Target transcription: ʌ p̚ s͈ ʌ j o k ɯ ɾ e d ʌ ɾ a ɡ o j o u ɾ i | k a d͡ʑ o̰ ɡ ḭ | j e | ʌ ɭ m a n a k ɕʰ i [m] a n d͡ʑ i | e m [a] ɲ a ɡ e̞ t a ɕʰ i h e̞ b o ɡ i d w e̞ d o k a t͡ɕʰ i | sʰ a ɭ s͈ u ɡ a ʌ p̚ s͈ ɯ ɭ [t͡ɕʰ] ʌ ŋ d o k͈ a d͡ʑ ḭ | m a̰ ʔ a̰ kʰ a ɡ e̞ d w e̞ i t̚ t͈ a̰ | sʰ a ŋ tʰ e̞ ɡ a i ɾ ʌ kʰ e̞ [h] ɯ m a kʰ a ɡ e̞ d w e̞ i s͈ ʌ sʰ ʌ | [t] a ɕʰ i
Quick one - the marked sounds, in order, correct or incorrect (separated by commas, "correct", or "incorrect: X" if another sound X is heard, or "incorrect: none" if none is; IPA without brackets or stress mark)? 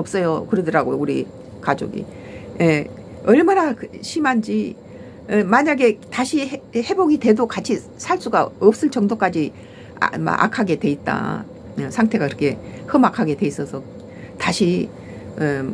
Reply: correct, correct, incorrect: t͡ɕ, correct, correct